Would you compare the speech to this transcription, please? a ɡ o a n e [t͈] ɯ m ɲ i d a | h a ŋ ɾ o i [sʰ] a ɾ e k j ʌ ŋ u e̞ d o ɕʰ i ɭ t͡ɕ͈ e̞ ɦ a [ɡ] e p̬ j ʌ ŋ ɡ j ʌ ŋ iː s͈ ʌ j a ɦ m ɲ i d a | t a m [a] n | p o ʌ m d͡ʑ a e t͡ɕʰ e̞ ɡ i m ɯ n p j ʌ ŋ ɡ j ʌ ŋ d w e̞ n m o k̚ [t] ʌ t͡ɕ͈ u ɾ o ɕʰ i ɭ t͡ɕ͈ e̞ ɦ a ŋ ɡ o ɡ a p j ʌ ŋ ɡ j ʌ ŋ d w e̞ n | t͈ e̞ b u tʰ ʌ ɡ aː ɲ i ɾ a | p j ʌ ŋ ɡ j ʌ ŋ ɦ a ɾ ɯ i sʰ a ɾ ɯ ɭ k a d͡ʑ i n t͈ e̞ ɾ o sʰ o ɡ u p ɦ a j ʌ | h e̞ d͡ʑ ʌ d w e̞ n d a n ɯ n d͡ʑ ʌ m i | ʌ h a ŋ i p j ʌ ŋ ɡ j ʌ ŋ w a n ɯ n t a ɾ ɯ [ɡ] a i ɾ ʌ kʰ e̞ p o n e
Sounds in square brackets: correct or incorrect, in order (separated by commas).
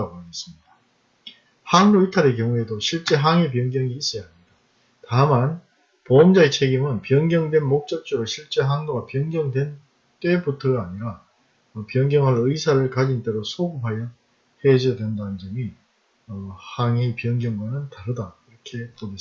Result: incorrect, incorrect, incorrect, correct, incorrect, incorrect